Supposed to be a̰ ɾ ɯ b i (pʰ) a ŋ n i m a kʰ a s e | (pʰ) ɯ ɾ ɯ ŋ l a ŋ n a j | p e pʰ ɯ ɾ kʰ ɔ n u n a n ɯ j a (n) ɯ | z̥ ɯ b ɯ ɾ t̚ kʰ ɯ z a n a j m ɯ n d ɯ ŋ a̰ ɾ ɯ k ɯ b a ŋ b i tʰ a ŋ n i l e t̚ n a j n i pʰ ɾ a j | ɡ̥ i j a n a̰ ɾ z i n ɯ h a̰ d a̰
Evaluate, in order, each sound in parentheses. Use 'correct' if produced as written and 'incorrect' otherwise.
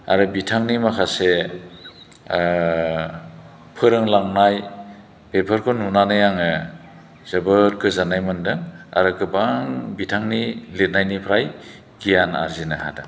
incorrect: tʰ, correct, incorrect: ŋ

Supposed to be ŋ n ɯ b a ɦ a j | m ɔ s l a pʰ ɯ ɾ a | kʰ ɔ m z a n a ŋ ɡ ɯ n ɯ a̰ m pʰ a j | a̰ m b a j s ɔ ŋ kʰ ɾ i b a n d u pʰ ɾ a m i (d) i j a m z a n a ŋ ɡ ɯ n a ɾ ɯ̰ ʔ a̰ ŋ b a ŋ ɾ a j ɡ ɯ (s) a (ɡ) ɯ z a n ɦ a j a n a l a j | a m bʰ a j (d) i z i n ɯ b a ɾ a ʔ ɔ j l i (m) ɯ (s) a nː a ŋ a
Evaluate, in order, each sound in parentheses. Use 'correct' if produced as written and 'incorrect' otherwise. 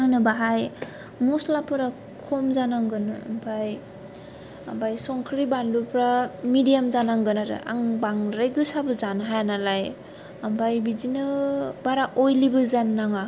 correct, correct, incorrect: b, incorrect: b, incorrect: b, incorrect: z

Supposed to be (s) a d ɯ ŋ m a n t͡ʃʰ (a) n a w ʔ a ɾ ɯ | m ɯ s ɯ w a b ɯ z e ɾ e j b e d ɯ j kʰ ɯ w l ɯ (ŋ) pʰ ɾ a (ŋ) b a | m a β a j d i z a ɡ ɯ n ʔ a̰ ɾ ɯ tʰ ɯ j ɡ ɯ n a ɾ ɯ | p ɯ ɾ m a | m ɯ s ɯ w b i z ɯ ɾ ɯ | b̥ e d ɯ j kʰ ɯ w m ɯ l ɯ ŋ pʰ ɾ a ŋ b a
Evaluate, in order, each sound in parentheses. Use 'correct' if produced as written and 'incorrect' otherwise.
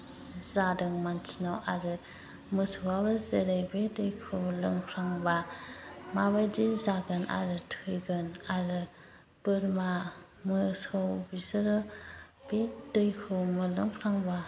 incorrect: z, incorrect: i, correct, correct

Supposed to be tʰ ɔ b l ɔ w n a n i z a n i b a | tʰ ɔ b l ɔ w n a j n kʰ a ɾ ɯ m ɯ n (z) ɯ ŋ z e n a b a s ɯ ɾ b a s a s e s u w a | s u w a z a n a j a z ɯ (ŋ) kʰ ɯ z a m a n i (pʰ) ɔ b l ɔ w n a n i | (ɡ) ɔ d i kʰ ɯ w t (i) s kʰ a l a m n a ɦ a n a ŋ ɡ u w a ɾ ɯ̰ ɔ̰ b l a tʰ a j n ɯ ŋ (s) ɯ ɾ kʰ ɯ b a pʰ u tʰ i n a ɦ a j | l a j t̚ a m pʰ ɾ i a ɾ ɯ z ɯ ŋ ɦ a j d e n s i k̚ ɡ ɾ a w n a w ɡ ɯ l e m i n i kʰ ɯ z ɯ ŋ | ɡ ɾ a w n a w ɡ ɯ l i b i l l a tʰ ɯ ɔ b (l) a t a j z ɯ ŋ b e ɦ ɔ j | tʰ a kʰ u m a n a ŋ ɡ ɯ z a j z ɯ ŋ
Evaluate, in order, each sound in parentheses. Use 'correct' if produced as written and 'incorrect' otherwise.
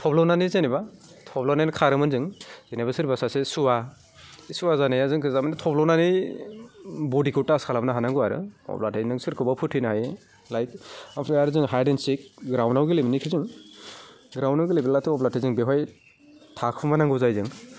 correct, correct, incorrect: tʰ, incorrect: b, incorrect: a, correct, correct

